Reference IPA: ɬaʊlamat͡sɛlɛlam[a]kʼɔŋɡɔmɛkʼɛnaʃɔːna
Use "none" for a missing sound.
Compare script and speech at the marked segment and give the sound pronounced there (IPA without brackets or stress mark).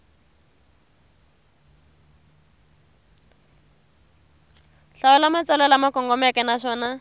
a